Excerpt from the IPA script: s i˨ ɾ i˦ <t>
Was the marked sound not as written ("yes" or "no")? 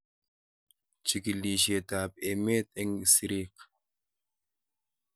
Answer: yes